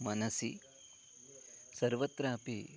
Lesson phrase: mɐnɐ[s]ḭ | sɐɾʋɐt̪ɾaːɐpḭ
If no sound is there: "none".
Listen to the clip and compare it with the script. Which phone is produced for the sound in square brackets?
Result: s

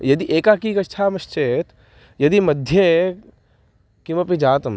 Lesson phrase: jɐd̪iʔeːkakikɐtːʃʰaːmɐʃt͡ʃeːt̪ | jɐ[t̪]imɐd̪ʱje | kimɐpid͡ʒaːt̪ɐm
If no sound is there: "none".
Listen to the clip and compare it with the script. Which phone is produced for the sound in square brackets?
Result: d̪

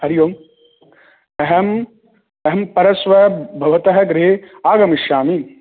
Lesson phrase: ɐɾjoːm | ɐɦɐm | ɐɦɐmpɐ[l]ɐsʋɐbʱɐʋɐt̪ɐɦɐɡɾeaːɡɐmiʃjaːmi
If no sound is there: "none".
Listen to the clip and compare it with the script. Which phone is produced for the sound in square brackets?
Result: ɾ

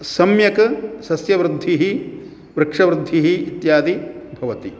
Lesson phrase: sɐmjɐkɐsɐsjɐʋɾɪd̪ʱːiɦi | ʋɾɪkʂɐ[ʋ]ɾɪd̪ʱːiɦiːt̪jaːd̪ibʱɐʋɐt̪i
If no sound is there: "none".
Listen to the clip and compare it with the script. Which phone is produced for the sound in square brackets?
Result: ʋ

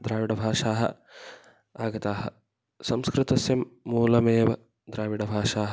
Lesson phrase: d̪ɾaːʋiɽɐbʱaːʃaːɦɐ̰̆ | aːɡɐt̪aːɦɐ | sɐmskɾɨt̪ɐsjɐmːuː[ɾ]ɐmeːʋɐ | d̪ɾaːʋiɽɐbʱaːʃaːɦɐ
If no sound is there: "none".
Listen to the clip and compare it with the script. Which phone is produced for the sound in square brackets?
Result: l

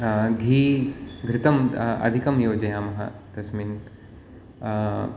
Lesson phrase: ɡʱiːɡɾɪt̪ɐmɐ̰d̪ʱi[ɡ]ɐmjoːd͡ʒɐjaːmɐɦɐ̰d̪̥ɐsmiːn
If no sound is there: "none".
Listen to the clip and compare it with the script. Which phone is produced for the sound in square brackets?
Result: k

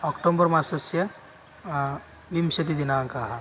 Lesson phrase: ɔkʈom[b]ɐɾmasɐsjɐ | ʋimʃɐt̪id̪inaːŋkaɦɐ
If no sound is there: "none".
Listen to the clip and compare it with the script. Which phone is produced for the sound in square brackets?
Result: b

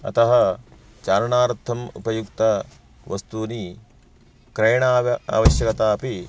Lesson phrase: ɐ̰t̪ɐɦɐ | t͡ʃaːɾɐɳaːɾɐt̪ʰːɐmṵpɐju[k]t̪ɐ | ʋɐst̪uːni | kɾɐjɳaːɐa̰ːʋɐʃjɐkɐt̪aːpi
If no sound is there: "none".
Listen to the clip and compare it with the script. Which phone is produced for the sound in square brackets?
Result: k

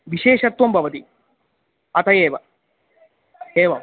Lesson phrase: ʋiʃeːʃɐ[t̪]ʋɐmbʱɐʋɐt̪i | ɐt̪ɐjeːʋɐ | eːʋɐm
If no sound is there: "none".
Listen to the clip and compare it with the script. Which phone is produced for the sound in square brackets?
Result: t̪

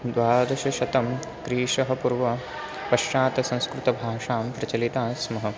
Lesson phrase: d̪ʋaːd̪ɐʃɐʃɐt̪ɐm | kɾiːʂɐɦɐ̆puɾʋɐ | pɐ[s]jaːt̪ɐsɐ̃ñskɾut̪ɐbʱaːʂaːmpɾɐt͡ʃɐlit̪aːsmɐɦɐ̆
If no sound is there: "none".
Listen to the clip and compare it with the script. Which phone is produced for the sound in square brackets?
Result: ʃ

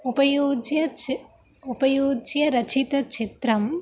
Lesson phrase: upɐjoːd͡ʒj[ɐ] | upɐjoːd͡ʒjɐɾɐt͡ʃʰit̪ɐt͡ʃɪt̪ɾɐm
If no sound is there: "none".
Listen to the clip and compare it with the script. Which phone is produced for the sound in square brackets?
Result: ɐ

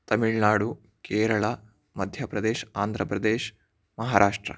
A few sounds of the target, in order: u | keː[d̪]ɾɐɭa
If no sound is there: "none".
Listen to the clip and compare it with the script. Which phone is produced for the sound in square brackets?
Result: none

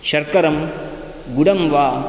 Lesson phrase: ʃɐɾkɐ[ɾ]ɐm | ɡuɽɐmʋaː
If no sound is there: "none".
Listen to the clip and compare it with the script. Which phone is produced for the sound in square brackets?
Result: ɾ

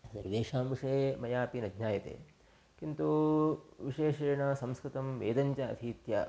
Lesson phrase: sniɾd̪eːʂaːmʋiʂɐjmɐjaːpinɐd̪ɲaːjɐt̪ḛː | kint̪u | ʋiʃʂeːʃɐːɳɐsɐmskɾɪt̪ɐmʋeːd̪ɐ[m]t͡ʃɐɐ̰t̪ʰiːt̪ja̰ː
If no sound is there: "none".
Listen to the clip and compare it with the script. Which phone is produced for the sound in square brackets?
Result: ɲ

